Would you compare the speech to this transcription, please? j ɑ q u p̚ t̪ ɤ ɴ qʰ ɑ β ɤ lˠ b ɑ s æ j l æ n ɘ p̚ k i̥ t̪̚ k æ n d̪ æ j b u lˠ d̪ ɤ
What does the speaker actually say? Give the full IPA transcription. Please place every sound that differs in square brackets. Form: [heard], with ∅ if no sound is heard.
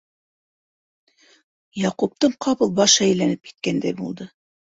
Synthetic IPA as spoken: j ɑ q u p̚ t̪ ɤ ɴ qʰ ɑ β ɤ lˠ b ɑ [ʃ] æ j l æ n ɘ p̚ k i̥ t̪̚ k æ n d̪ æ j b u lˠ d̪ ɤ